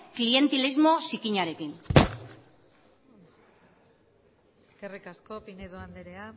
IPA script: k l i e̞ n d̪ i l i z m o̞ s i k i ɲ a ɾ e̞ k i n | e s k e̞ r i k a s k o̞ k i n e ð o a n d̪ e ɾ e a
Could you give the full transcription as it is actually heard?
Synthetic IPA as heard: k l i e̞ n t̪ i l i z m o̞ s i k i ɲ a ɾ e̞ k i n | e s k e̞ r i k a s k o̞ p i n e ð o a n d̪ e ɾ e a